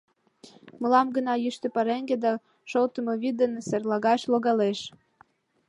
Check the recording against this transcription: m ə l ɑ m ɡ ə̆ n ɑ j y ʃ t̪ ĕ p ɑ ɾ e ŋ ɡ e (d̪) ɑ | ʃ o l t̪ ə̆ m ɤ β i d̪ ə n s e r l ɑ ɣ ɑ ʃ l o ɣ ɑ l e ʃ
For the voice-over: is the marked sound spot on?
yes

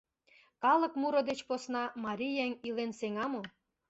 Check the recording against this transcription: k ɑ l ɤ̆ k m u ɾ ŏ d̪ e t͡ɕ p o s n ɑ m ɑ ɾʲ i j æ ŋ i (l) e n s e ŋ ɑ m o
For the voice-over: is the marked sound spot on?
yes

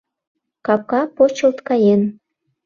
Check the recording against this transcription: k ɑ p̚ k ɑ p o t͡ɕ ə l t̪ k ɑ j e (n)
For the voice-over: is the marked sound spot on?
yes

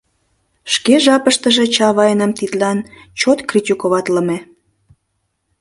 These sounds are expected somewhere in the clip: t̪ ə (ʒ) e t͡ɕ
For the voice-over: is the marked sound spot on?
yes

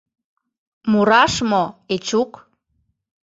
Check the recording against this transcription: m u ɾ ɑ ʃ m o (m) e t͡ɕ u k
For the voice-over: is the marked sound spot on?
no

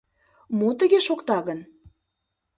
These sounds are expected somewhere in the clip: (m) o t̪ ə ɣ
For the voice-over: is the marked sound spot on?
yes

